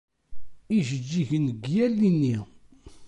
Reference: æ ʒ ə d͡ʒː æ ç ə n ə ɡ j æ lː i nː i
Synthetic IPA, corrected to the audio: i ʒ ə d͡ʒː i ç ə n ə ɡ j æ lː i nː i